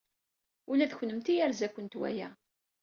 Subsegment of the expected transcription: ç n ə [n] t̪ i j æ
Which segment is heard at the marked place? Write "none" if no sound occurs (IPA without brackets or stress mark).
m